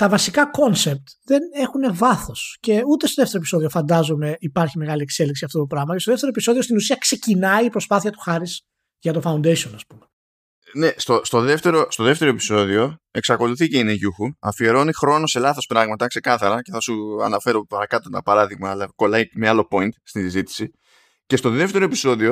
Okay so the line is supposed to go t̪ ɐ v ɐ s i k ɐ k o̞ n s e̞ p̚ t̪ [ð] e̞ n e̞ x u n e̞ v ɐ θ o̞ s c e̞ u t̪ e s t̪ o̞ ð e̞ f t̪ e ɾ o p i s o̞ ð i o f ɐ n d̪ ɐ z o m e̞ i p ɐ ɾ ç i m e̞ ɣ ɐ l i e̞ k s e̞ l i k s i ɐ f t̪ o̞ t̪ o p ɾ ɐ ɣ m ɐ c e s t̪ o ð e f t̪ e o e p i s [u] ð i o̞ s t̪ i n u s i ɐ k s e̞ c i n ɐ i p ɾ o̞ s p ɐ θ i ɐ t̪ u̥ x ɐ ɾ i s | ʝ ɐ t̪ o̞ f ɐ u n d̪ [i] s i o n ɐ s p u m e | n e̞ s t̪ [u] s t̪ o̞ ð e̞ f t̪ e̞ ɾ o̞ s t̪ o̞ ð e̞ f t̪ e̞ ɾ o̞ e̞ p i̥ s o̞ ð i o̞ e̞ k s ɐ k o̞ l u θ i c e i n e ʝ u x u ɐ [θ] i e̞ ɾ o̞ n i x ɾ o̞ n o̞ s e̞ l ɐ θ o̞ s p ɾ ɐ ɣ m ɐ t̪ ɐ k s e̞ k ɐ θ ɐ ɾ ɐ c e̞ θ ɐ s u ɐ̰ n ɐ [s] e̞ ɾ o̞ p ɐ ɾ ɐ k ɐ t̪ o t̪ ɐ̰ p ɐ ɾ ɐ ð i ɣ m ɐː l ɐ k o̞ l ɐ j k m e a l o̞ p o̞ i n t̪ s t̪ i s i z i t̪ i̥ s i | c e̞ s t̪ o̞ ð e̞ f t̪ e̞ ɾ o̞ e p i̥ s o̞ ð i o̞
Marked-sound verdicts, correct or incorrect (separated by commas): correct, incorrect, incorrect, incorrect, incorrect, incorrect